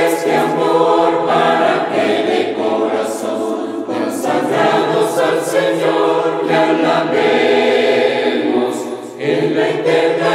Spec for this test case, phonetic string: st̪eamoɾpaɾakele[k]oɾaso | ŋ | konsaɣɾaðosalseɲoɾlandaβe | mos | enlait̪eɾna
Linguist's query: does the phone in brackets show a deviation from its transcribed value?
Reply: no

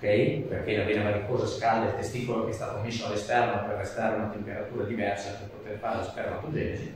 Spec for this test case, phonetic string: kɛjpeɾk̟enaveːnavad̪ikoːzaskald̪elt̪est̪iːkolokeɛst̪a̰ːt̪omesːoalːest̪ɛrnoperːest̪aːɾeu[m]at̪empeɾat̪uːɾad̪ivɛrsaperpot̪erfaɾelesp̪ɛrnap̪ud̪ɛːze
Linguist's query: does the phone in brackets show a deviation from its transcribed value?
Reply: yes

